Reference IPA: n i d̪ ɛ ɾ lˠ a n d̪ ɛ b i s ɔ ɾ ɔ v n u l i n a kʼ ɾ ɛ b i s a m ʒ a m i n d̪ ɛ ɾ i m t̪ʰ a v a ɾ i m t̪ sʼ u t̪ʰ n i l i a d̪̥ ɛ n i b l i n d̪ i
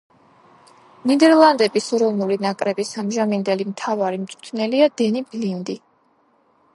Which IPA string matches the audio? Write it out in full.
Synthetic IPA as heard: n i d̪ ɛ ɾ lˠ a n d̪ ɛ b i s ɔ ɾ ɔ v n u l i n a kʼ ɾ ɛ b i s a m ʒ a m i n d̪ ɛ l i m t̪ʰ a v a ɾ i m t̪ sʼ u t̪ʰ n ɛ l i a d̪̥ ɛ n i b l i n d̪ i

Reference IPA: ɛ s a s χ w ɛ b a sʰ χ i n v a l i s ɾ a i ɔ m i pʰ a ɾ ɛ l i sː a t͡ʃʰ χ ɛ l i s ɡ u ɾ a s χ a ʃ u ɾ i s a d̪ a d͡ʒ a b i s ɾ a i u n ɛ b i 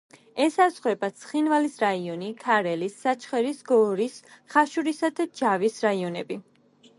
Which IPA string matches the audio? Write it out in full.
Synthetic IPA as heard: ɛ s a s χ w ɛ b a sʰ χ i n v a l i s ɾ a i ɔ n i kʰ a ɾ ɛ l i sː a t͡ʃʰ χ ɛ ɾ i s ɡ ɔ ɾ i s χ a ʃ u ɾ i s a d̪ a d͡ʒ a v i s ɾ a i ɔ n ɛ b i

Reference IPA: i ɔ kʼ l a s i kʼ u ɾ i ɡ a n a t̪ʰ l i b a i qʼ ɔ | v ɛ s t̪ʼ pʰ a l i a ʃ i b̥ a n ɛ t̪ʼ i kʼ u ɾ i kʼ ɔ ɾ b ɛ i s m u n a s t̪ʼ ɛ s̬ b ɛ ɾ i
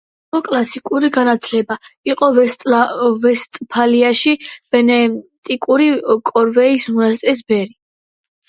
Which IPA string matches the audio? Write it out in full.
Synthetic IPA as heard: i ɔ kʼ l a s i kʼ u ɾ i ɡ a n a t̪ʰ l ɛ b a i qʼ ɔ | v ɛ s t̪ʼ pʰ a l i a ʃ i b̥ ɛ n ɛ t̪ʼ i kʼ u ɾ i kʼ ɔ ɾ v ɛ i s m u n a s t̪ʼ ɛ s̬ b ɛ ɾ i

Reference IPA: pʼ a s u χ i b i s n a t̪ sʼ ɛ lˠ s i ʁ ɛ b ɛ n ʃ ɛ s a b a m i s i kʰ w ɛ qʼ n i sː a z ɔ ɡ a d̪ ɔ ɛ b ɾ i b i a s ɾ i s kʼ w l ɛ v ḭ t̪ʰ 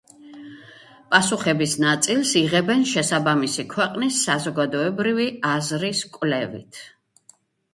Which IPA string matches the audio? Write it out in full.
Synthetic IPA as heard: pʼ a s u χ ɛ b i s n a t̪ sʼ i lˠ s i ʁ ɛ b ɛ n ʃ ɛ s a b a m i s i kʰ w ɛ qʼ n i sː a z ɔ ɡ a d̪ ɔ ɛ b ɾ i v i a z ɾ i s kʼ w l ɛ v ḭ t̪ʰ

